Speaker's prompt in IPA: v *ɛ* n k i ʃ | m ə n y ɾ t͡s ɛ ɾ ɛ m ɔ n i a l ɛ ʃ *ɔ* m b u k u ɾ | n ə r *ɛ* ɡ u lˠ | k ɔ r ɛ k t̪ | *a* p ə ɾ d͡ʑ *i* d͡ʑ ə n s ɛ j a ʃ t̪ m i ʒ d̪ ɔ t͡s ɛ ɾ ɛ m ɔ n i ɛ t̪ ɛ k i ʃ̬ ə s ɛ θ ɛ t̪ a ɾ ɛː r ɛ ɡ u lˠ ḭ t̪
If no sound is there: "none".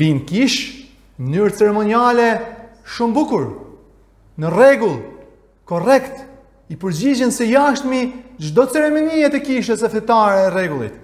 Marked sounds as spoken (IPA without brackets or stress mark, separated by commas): i, u, ɛ, i, i